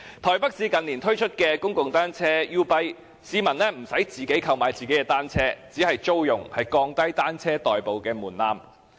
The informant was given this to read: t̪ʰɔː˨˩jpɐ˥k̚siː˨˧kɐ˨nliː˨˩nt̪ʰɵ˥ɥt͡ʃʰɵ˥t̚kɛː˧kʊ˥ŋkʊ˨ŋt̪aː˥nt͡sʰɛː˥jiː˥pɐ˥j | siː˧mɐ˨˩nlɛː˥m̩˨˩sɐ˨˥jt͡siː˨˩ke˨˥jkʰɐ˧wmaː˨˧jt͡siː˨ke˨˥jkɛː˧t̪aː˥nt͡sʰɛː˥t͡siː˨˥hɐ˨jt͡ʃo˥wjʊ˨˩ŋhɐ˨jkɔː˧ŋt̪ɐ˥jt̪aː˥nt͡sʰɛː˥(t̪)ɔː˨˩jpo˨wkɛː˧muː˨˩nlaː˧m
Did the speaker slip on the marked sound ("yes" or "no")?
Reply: no